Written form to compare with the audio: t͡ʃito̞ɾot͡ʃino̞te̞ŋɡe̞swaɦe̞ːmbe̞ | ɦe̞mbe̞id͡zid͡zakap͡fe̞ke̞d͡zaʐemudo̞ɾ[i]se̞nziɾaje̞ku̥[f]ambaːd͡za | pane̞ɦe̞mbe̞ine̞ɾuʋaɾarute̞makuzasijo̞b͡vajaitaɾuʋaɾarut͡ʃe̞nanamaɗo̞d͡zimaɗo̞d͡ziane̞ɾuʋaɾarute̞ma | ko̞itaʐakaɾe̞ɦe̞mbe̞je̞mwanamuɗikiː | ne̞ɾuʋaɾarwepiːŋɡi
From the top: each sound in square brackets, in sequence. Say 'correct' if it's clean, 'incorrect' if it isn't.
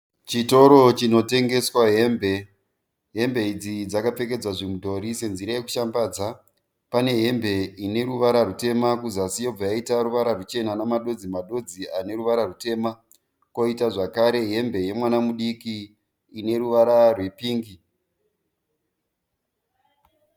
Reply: correct, incorrect

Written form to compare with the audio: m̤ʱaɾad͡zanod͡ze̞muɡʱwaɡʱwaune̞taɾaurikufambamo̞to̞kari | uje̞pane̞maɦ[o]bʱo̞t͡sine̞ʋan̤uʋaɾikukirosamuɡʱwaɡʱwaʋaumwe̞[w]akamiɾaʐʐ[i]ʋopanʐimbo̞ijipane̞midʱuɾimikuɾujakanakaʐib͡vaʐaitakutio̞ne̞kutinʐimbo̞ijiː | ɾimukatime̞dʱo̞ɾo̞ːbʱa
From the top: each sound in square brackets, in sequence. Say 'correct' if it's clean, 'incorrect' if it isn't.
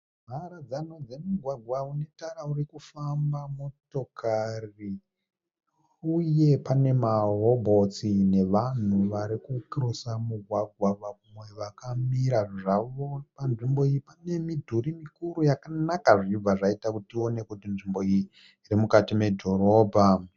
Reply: correct, incorrect, incorrect

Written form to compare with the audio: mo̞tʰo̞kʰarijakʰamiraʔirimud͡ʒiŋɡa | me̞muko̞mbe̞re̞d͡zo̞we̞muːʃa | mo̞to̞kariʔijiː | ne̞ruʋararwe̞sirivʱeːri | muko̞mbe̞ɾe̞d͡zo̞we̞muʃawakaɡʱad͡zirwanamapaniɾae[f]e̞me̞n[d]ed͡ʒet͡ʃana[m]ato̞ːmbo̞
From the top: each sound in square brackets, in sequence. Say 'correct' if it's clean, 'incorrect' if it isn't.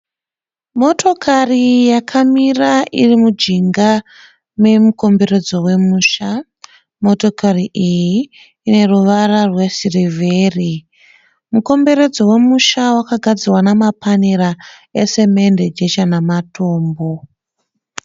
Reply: incorrect, correct, correct

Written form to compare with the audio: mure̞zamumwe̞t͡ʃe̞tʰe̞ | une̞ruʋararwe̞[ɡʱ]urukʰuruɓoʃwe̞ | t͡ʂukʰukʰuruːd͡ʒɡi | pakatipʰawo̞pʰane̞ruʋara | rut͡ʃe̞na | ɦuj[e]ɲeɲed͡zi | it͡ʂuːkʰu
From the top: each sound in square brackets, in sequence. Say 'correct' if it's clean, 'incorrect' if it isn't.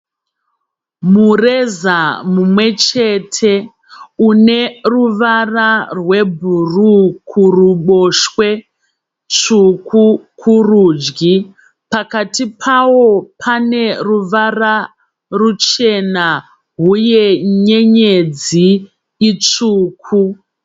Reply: incorrect, correct

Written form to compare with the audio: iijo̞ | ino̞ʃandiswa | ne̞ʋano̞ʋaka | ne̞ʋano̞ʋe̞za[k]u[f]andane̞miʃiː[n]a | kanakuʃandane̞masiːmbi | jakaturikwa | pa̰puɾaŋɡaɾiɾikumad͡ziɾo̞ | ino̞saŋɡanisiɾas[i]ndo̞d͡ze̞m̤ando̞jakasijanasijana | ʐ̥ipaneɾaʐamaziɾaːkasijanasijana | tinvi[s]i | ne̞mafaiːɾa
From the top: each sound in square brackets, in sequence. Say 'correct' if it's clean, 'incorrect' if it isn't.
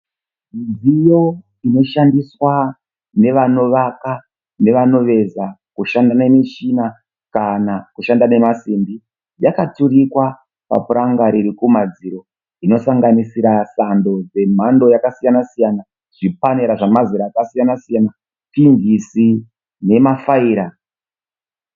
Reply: correct, incorrect, correct, incorrect, correct

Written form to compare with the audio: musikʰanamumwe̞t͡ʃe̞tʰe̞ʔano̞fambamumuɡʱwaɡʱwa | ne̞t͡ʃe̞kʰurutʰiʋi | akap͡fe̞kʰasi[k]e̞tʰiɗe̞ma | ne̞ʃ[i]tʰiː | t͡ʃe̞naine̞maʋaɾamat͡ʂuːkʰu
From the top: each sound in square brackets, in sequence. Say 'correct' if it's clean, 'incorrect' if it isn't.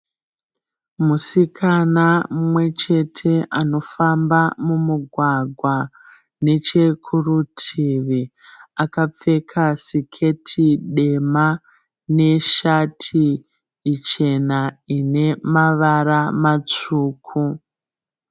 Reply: incorrect, incorrect

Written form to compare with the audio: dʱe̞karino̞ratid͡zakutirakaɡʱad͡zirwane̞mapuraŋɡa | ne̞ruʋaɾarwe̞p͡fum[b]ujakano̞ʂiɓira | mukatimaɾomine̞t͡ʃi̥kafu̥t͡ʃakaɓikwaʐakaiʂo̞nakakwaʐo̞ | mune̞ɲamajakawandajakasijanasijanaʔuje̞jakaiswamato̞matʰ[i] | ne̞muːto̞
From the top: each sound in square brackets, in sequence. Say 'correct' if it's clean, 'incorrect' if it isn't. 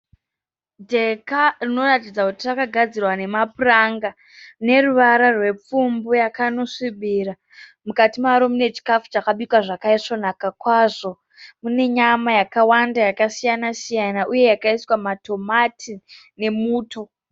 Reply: correct, correct

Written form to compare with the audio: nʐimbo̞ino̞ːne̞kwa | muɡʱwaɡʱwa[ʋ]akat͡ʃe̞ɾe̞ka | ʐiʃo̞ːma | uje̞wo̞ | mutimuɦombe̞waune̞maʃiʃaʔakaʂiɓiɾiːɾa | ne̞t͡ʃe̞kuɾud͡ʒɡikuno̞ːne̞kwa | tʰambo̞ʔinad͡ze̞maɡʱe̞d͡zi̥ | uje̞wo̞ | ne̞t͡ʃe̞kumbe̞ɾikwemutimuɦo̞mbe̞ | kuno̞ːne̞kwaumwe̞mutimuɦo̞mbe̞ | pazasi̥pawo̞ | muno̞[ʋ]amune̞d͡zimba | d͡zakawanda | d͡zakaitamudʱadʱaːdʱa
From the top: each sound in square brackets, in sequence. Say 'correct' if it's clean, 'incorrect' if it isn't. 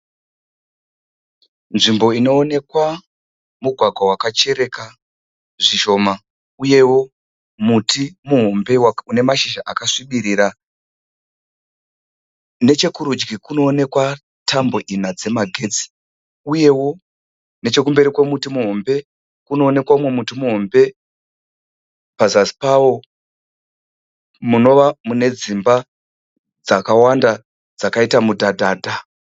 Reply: incorrect, correct

